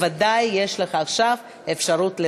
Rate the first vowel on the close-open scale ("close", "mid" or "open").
open